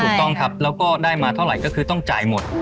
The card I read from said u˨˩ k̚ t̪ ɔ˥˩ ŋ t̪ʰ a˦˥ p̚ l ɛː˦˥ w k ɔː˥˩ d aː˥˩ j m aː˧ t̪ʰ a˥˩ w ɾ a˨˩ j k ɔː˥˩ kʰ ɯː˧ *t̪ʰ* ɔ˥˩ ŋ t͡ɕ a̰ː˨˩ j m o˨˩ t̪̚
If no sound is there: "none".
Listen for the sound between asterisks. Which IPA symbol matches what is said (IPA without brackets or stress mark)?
t̪